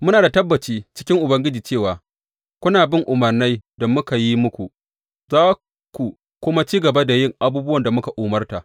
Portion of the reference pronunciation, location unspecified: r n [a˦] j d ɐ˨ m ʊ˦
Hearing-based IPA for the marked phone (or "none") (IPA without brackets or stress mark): a˦